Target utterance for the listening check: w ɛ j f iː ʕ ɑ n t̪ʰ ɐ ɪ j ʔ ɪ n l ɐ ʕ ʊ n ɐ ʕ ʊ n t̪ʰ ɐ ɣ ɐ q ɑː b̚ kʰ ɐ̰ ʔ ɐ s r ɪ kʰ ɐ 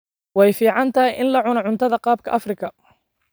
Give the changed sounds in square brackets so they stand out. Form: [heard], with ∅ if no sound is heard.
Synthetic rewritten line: w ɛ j f iː ʕ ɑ n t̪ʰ ɐ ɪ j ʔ ɪ n l ɐ ʕ ʊ n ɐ ʕ ʊ n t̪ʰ ɐ [ð] ɐ q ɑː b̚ kʰ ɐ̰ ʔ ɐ [f] r ɪ kʰ ɐ